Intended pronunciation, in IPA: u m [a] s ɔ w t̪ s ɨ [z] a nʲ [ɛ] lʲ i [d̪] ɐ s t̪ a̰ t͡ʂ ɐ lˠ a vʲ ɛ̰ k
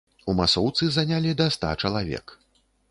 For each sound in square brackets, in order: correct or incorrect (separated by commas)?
correct, correct, incorrect, correct